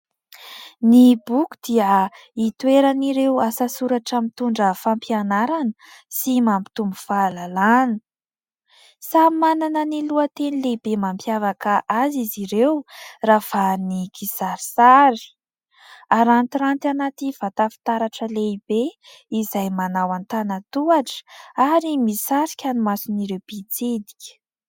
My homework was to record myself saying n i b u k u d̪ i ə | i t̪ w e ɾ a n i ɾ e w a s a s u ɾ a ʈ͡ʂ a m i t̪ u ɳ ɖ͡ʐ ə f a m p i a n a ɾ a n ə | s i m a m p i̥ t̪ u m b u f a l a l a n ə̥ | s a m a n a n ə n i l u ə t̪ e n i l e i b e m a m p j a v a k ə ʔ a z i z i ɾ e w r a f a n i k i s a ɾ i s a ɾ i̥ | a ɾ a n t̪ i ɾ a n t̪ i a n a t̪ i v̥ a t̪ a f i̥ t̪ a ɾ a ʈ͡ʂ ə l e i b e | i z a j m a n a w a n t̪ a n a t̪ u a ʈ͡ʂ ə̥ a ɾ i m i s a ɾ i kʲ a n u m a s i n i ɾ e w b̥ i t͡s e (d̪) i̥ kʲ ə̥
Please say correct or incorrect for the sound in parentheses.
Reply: correct